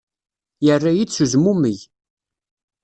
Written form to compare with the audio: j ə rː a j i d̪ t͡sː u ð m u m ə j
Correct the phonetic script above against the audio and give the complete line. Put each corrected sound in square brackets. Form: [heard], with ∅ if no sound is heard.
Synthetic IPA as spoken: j ə rː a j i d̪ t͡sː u [z] m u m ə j